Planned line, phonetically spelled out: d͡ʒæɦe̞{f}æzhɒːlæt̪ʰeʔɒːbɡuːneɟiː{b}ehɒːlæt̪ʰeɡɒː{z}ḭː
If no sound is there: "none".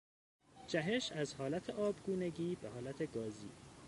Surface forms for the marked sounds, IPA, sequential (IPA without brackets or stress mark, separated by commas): ʃ, b, z